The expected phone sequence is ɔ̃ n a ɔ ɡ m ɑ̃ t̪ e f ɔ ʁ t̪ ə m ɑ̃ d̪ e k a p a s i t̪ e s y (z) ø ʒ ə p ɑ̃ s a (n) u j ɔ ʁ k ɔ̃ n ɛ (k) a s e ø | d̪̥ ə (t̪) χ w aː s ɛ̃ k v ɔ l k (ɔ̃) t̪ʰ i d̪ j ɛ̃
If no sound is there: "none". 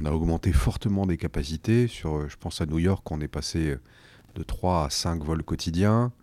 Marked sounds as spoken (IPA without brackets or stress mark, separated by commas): ʁ, n, p, t̪, ɔ